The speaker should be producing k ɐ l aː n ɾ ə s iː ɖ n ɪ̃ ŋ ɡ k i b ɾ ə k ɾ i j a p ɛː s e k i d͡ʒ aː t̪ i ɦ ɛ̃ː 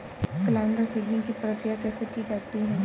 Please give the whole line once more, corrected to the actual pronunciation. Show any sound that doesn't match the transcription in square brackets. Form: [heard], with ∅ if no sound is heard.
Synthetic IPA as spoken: k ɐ l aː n ɾ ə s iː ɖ n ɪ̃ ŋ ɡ k i [p] ɾ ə k ɾ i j a [k] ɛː s e k i d͡ʒ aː t̪ i ɦ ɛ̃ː

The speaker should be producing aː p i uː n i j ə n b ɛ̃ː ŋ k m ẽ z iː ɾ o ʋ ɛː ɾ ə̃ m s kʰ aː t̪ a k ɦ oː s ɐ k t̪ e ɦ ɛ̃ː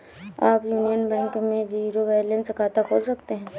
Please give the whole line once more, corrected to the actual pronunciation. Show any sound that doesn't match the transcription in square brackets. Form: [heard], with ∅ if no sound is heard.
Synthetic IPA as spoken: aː p [j] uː n i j ə n b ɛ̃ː ŋ k m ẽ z iː ɾ o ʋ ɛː [l] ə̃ [n] s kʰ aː t̪ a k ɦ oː s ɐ k t̪ e ɦ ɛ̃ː

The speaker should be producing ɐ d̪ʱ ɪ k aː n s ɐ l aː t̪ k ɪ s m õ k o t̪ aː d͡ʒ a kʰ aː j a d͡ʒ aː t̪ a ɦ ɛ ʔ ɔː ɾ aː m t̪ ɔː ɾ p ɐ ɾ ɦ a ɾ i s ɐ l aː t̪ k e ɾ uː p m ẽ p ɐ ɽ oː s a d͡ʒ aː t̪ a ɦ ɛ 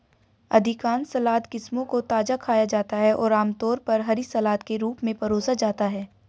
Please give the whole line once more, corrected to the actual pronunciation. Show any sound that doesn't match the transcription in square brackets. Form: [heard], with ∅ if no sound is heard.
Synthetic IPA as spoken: ɐ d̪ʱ ɪ k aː n s ɐ l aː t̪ k ɪ s m õ k o t̪ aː d͡ʒ a kʰ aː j a d͡ʒ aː t̪ a ɦ ɛ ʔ ɔː ɾ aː m t̪ ɔː ɾ p ɐ ɾ ɦ [ɐ] ɾ i s ɐ l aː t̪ k e ɾ uː p m ẽ p ɐ [ɾ] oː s a d͡ʒ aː t̪ a ɦ [ɛː]

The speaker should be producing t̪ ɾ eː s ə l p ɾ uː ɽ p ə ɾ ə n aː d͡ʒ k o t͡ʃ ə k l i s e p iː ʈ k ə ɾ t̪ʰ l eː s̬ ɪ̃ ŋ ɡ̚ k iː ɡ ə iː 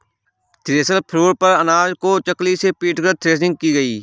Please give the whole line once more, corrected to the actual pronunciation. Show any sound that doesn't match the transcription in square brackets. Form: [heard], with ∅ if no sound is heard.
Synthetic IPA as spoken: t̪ ɾ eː s ə l [pʰ] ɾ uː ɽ p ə ɾ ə n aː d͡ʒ k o t͡ʃ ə k l i s e p iː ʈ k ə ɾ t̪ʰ [ɾ] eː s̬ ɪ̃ ŋ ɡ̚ k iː ɡ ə iː

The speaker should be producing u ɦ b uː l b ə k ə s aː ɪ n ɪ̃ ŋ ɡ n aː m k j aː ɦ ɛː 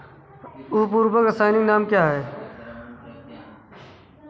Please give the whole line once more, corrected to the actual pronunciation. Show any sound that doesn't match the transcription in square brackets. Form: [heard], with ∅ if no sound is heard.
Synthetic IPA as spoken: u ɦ [p] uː [ɾ] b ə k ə s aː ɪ n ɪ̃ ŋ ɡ n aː m k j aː ɦ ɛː

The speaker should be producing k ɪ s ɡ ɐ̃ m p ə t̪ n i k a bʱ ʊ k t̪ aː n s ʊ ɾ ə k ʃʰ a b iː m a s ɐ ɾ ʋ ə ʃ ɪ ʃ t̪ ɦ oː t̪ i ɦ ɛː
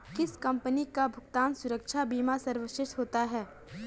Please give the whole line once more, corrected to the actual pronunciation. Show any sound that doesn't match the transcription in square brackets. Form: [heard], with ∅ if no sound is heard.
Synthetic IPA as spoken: k ɪ s [k] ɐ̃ m p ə [∅] n i k a bʱ ʊ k t̪ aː n s ʊ ɾ ə k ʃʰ a b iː m a s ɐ ɾ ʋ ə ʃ ɪ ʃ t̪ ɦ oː t̪ [a] ɦ ɛː

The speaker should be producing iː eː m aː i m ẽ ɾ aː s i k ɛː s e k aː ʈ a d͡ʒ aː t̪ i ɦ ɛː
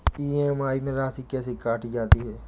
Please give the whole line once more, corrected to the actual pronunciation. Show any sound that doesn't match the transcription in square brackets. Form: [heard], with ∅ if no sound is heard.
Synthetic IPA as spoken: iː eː m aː i m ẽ ɾ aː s i k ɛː s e k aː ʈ [i] d͡ʒ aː t̪ i ɦ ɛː

